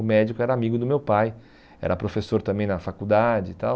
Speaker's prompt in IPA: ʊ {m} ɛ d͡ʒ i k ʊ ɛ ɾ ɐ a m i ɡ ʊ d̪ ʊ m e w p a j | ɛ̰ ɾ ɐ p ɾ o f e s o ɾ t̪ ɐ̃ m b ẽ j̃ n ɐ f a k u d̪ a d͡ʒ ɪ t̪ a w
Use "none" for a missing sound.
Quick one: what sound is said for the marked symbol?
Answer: m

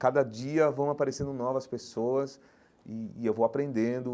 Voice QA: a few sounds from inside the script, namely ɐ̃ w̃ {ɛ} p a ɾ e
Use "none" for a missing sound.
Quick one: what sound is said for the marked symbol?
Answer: a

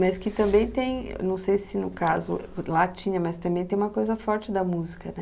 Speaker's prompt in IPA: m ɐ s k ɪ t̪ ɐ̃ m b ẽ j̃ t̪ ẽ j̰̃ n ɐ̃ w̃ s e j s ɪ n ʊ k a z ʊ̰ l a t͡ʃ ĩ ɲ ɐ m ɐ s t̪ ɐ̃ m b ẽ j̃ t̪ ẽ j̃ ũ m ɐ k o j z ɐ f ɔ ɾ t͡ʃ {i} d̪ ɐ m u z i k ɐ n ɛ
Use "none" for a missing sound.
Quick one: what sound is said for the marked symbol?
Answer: ɪ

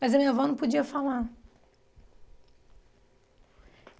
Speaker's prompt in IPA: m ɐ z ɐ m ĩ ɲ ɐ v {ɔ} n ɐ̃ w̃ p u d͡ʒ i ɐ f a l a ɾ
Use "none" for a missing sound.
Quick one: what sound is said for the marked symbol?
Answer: ɔ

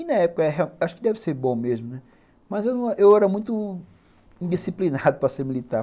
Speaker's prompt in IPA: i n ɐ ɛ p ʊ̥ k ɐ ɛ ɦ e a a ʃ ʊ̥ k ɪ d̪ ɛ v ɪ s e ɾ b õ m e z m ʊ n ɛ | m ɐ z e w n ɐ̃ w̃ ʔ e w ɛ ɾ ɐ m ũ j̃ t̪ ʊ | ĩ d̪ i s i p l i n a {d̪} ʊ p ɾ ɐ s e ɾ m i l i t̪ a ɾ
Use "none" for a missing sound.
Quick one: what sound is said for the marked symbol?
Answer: d̪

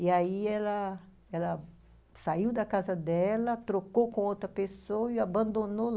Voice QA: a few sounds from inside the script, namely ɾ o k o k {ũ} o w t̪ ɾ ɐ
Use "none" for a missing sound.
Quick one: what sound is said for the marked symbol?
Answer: õ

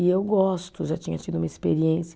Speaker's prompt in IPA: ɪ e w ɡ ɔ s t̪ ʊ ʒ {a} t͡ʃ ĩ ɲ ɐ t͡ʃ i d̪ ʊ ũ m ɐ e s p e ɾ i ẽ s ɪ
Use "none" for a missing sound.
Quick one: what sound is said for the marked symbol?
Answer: a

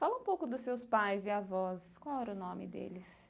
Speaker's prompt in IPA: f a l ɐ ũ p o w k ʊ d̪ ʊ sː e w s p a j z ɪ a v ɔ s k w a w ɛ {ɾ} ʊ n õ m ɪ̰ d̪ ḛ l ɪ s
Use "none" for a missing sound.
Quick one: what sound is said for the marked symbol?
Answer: ɾ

